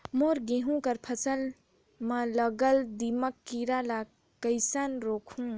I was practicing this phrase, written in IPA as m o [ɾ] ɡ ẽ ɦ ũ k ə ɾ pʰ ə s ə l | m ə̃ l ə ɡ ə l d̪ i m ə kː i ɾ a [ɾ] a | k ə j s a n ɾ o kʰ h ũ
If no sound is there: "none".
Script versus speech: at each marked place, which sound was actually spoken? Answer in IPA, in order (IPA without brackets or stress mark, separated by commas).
ɾ, l